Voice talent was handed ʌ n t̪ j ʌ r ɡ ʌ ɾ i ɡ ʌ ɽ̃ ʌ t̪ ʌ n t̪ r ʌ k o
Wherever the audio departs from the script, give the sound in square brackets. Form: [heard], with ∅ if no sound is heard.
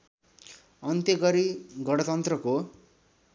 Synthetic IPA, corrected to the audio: ʌ n t̪ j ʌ [∅] ɡ ʌ ɾ i ɡ ʌ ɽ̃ ʌ t̪ ʌ n t̪ r ʌ k o